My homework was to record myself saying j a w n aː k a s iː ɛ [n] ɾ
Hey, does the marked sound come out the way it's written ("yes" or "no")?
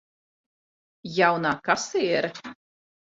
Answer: no